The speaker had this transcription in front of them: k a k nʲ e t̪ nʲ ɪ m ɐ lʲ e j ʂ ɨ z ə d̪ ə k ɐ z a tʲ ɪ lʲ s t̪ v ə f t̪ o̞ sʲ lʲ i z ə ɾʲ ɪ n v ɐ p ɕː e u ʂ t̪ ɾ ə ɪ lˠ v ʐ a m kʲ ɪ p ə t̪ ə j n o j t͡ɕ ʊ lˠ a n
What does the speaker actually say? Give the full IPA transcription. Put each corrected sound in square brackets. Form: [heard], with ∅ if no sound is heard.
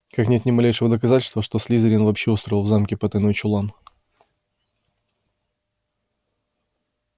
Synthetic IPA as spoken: k a k nʲ e t̪ nʲ ɪ m ɐ lʲ e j ʂ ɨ [v] ə d̪ ə k ɐ z a tʲ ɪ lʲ s t̪ v ə [ʂ] t̪ o̞ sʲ lʲ i z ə ɾʲ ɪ n v ɐ p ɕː e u [s] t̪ ɾ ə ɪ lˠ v [z] a m kʲ ɪ p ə t̪ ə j n o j t͡ɕ ʊ lˠ a n

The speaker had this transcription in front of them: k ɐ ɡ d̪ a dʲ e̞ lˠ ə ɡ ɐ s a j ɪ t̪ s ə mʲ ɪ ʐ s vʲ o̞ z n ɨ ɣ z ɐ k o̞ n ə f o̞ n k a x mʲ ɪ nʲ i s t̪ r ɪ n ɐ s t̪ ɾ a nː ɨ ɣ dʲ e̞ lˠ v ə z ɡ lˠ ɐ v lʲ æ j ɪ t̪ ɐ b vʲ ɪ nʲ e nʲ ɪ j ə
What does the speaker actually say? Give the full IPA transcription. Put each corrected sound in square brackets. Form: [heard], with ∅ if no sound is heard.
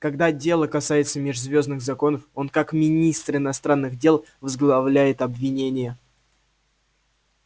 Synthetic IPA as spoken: k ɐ ɡ d̪ a dʲ e̞ lˠ ə [k] ɐ s a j ɪ t̪ s ə mʲ ɪ ʐ [z] vʲ o̞ z n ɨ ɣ z ɐ k o̞ n ə f o̞ n k a [k] mʲ ɪ nʲ i s t̪ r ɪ n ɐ s t̪ ɾ a nː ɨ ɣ dʲ e̞ lˠ v ə z ɡ lˠ ɐ v lʲ æ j ɪ t̪ ɐ b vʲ ɪ nʲ e nʲ ɪ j ə

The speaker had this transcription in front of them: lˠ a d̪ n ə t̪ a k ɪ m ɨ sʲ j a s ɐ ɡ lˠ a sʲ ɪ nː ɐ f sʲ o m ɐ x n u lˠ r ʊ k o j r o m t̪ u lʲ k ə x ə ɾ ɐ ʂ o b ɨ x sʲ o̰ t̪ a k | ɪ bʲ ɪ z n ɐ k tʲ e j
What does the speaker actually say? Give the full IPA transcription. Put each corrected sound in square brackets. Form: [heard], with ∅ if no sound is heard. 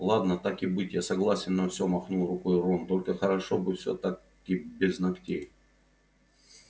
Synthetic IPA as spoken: lˠ a d̪ n ə t̪ a k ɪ [b] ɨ [tʲ] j a s ɐ ɡ lˠ a sʲ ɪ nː ɐ f sʲ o m ɐ x n u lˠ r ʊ k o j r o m t̪ [o] lʲ k ə x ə ɾ ɐ ʂ o b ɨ [f] sʲ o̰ t̪ a k | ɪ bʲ ɪ z n ɐ k tʲ e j

